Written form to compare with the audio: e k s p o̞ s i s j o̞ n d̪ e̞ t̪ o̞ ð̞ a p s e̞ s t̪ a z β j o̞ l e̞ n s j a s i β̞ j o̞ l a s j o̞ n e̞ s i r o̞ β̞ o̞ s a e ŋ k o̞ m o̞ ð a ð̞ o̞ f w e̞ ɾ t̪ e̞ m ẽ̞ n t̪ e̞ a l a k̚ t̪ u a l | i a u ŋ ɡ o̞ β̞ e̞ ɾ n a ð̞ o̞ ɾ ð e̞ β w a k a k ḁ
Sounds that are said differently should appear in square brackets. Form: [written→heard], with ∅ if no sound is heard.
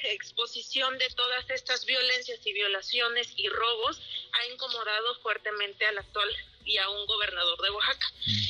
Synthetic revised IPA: e k s p o̞ s i s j o̞ n d̪ e̞ t̪ o̞ ð̞ a [p→∅] s e̞ s t̪ a z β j o̞ l e̞ n s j a s i β̞ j o̞ l a s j o̞ n e̞ s i r o̞ β̞ o̞ s a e ŋ k o̞ m o̞ ð a ð̞ o̞ f w e̞ ɾ t̪ e̞ m ẽ̞ n t̪ e̞ a l a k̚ t̪ [u→w] a l | i a u ŋ ɡ o̞ β̞ e̞ ɾ n a ð̞ o̞ ɾ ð e̞ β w a [k→x] a k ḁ